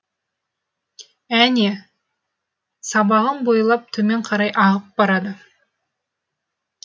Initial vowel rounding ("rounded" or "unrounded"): unrounded